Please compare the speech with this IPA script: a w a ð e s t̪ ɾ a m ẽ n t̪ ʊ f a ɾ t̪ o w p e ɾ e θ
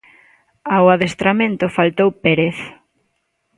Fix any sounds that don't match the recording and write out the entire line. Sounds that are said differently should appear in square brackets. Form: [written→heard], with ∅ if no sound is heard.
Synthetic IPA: a w a ð e s t̪ ɾ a m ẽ n t̪ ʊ f a [ɾ→l] t̪ o w p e ɾ e θ